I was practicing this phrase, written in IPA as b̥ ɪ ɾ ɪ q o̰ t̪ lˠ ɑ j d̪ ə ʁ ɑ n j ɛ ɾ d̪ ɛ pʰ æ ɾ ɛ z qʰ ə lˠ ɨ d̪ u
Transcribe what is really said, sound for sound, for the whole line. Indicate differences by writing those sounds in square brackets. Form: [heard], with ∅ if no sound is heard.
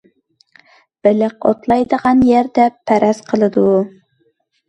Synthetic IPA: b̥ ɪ [l] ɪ q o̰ t̪ lˠ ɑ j d̪ ə ʁ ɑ n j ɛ ɾ d̪ ɛ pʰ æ ɾ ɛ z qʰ ə lˠ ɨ d̪ u